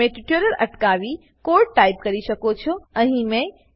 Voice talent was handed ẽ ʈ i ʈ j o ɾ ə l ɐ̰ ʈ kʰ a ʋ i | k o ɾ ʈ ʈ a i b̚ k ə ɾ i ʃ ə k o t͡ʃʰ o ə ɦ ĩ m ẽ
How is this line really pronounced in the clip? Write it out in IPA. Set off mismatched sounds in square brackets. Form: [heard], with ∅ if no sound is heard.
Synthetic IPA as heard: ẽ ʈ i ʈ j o ɾ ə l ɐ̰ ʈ [k] a ʋ i | k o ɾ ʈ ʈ a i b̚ k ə ɾ i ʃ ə k o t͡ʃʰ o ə ɦ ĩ m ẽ